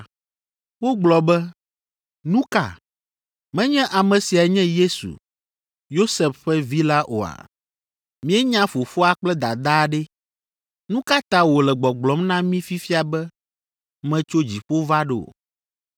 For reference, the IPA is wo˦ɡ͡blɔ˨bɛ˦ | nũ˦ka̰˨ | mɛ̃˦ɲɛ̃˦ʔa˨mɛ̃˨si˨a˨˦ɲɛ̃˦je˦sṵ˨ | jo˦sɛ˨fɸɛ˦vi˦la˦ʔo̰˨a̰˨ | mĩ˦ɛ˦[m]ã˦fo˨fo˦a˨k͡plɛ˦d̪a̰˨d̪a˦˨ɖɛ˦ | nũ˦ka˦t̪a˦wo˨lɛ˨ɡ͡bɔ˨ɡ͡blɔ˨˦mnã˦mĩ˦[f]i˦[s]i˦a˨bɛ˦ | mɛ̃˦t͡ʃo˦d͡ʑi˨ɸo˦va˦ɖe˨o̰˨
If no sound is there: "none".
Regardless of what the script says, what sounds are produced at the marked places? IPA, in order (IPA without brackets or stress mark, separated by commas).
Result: ɲ, f, f